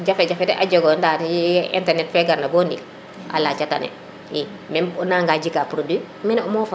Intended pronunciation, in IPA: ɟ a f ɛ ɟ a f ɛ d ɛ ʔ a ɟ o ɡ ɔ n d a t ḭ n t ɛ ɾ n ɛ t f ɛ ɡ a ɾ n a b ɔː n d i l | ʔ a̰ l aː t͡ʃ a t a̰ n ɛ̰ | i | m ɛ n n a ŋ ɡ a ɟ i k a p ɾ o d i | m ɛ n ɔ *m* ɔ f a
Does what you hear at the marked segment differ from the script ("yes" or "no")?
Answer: no